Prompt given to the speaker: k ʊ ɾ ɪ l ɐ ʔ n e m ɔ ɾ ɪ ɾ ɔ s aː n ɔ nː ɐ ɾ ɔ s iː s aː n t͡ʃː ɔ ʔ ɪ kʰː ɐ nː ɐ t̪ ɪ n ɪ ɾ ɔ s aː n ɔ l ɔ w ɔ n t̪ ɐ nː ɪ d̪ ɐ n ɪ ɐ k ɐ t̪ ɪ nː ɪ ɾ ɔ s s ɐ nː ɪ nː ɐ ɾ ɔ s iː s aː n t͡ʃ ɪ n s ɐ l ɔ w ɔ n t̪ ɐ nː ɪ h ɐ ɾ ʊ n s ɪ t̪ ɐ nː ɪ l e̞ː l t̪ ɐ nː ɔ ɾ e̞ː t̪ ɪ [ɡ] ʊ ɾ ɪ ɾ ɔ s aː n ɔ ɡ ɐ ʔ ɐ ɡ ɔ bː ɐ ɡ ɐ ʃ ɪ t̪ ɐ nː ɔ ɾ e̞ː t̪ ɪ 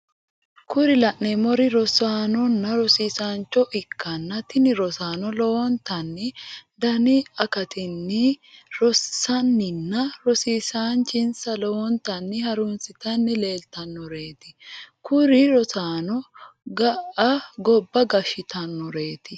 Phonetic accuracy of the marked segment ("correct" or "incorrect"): incorrect